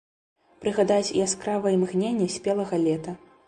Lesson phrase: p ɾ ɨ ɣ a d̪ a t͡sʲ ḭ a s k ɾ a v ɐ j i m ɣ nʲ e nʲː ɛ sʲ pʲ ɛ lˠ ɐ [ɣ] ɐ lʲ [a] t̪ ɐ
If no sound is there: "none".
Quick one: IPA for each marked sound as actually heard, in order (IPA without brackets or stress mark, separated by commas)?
ɣ, ɛ